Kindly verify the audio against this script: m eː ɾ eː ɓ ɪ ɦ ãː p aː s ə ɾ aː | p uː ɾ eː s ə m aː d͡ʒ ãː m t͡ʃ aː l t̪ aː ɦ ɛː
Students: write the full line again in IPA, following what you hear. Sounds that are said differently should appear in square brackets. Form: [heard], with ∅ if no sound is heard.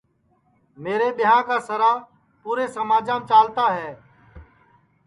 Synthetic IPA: m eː ɾ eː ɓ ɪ ɦ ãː [k] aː s ə ɾ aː | p uː ɾ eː s ə m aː d͡ʒ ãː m t͡ʃ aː l t̪ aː ɦ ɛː